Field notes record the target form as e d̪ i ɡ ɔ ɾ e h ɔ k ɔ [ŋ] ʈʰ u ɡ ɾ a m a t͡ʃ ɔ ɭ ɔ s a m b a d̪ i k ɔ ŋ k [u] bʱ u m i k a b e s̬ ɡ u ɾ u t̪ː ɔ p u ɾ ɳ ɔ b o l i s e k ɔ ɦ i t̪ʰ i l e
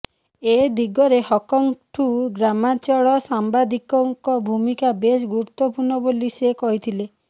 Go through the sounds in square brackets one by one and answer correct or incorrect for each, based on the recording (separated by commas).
correct, incorrect